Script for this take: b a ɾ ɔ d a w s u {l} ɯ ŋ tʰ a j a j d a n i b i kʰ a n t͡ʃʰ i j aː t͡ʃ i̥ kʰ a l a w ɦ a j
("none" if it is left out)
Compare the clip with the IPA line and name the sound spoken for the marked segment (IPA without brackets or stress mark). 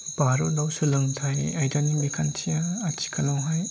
l